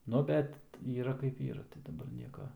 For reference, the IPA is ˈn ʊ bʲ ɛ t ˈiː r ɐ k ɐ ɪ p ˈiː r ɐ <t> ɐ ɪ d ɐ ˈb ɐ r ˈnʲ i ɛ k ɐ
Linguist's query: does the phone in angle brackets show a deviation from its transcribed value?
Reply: no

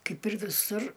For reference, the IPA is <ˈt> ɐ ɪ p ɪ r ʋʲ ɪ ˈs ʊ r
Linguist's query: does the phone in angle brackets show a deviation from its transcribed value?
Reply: yes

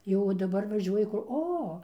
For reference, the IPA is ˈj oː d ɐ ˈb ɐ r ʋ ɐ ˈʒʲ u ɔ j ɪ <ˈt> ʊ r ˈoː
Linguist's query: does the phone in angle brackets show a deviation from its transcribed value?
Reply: yes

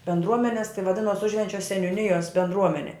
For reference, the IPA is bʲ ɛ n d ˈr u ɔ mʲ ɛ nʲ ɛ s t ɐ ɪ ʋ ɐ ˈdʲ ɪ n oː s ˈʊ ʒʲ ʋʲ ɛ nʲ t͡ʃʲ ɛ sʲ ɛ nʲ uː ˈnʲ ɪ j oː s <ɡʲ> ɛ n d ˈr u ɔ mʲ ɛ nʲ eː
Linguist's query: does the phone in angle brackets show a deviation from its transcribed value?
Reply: yes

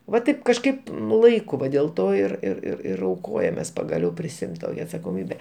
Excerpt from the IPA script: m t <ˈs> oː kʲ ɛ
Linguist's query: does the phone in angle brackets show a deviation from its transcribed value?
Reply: yes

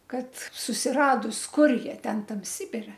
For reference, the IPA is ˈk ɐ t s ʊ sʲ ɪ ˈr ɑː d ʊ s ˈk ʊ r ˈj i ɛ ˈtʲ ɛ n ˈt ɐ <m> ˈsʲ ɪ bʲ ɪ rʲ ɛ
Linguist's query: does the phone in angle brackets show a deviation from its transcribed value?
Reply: no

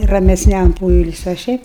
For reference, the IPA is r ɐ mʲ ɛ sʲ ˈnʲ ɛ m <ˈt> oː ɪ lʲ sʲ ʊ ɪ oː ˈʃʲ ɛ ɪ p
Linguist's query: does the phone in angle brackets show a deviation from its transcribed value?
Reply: yes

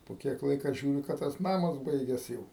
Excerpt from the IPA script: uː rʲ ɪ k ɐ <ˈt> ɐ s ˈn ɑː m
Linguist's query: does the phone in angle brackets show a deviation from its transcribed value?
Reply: no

